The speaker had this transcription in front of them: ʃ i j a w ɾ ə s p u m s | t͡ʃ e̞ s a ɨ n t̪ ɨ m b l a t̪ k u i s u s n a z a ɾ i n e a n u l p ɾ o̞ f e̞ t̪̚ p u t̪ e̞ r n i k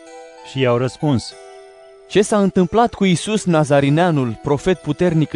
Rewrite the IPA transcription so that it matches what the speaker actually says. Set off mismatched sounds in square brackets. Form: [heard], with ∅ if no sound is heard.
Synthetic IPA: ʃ i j a w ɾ ə s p u [n] s | t͡ʃ e̞ s a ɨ n t̪ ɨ m [p] l a t̪ k u i s u s n a z a ɾ i n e a n u l p ɾ o̞ f e̞ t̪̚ p u t̪ e̞ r n i k